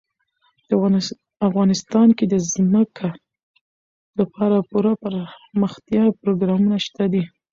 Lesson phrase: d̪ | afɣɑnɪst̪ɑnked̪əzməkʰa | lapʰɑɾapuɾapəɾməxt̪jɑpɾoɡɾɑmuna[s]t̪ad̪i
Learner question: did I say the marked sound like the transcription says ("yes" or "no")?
no